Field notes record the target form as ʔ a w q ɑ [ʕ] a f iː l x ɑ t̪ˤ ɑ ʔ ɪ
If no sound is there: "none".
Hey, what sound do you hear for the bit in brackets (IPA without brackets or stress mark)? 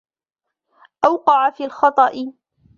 ʕ